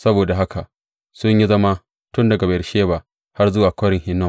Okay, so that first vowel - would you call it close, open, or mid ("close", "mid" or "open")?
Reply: open